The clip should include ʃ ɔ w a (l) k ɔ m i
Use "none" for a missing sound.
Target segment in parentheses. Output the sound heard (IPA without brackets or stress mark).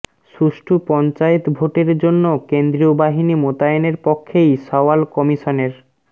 l